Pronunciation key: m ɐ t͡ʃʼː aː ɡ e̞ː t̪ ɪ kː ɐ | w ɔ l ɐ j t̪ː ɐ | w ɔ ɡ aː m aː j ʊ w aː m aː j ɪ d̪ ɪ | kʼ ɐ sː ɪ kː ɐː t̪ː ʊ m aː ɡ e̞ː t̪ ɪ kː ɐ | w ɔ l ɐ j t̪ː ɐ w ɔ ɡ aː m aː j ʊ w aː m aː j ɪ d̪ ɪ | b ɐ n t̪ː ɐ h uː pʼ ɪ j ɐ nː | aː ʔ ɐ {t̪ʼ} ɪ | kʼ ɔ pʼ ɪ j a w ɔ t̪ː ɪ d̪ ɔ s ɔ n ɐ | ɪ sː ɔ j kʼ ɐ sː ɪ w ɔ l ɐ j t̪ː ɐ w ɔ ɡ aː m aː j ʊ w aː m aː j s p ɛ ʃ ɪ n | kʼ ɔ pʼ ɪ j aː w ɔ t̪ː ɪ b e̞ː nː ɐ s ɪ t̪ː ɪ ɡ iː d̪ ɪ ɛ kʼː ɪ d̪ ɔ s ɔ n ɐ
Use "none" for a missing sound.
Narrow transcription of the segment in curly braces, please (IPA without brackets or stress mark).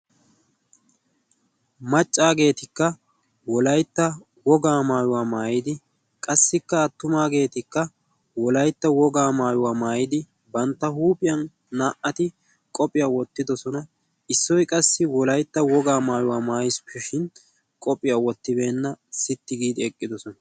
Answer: t̪